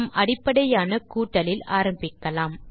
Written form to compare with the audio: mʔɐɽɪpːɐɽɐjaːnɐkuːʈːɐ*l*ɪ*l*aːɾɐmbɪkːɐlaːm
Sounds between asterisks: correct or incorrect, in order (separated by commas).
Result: correct, correct